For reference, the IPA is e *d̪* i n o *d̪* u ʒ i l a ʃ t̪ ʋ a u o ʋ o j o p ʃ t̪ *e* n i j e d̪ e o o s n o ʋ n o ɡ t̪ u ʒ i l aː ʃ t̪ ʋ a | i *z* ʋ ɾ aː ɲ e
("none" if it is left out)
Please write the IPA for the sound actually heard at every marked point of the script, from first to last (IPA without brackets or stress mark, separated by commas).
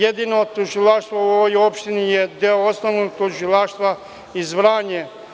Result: d̪, t̪, i, z